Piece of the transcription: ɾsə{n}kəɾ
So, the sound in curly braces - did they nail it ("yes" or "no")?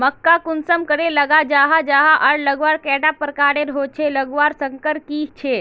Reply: no